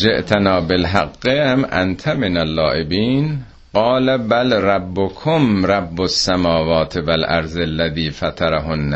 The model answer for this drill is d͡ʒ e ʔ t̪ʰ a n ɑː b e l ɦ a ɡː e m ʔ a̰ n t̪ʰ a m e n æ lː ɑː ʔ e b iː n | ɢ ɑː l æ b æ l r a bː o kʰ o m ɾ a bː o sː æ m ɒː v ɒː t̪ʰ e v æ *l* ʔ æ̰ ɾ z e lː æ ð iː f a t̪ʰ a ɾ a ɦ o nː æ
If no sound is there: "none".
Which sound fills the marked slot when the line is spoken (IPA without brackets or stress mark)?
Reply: l